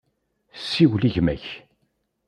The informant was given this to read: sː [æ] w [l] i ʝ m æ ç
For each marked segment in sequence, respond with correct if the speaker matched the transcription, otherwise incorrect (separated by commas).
incorrect, correct